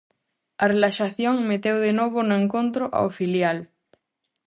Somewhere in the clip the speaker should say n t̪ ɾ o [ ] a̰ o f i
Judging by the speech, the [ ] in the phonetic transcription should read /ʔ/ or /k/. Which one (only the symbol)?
ʔ